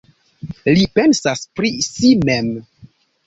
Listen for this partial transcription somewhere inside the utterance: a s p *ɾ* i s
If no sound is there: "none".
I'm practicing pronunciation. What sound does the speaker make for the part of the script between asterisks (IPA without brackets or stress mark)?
ɾ